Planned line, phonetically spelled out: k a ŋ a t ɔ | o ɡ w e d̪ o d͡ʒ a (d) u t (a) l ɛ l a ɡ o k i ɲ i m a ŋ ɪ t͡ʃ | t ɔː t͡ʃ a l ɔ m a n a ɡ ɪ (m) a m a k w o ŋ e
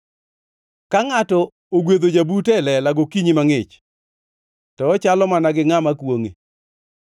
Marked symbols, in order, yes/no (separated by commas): no, no, no